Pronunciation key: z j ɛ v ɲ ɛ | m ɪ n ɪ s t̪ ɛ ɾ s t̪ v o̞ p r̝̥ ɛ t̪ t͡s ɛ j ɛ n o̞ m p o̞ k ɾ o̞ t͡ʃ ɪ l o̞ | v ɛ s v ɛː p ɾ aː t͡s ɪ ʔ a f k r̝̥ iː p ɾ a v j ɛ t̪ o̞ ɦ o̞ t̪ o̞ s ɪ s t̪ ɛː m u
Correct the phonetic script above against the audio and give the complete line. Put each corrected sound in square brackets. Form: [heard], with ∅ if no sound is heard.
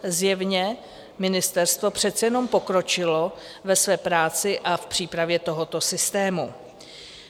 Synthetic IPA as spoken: z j ɛ v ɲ ɛ | m ɪ n ɪ s t̪ ɛ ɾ s t̪ v o̞ p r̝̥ ɛ t̪ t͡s ɛ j ɛ n o̞ m p o̞ k ɾ o̞ t͡ʃ ɪ l o̞ | v ɛ s v ɛː p ɾ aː t͡s ɪ ʔ a f [p] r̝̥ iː p ɾ a v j ɛ t̪ o̞ ɦ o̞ t̪ o̞ s ɪ s t̪ ɛː m u